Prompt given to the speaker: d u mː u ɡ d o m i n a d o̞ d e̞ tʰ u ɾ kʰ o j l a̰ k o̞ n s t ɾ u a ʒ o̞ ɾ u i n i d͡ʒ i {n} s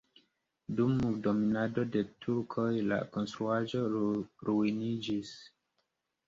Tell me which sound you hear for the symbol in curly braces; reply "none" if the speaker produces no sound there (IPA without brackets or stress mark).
none